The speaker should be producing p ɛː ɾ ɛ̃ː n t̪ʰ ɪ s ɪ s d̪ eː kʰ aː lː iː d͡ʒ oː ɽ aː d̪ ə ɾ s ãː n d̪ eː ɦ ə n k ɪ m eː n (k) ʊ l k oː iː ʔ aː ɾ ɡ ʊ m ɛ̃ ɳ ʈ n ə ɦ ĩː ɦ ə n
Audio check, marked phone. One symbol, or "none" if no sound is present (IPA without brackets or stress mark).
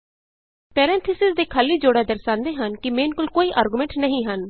k